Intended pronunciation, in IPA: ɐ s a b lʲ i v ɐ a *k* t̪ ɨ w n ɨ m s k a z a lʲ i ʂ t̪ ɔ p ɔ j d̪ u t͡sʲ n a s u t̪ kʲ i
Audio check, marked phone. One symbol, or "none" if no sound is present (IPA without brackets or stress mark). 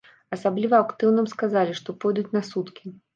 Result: k